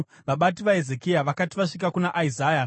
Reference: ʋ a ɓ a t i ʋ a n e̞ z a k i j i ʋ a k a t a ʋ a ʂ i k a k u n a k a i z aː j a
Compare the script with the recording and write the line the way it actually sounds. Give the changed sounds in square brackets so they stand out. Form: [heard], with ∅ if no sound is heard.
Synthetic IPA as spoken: ʋ a ɓ a t i ʋ a [∅] e̞ z [e] k i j [a] ʋ a k a t [i] ʋ a ʂ i k a k u n a [ʔ] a i z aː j a